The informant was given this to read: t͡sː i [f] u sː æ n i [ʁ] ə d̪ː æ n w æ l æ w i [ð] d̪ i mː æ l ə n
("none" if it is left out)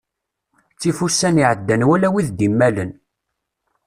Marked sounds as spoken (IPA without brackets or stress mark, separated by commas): f, ʕ, ð